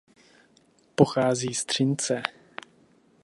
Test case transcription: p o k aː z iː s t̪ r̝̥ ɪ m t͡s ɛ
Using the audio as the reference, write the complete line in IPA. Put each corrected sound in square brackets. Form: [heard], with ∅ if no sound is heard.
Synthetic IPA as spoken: p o [x] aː z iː s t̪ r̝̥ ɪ [n] t͡s ɛ